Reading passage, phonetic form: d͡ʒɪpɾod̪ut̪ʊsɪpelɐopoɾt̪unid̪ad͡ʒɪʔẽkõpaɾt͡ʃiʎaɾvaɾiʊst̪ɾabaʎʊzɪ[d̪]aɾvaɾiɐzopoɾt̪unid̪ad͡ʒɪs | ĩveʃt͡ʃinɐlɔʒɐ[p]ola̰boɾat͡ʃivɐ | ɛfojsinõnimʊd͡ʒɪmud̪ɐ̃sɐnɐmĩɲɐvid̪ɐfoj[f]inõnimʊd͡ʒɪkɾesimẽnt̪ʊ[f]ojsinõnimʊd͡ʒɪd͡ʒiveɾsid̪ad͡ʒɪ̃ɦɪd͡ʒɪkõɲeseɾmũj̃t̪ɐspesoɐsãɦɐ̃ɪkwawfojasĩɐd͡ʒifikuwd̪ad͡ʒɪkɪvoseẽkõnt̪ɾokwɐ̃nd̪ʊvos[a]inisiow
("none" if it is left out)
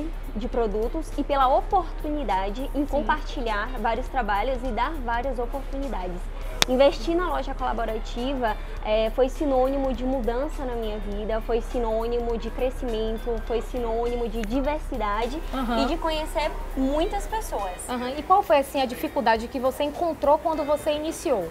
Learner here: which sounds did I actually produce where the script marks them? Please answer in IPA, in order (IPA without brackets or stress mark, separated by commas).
d̪, k, s, f, e